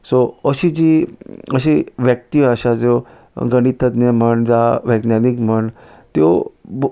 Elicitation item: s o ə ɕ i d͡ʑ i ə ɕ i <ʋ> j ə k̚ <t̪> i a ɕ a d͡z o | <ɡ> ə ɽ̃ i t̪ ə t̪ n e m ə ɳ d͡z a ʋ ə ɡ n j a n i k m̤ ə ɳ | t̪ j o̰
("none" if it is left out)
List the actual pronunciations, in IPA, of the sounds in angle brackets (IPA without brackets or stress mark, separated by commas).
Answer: ʋ, t̪, ɡ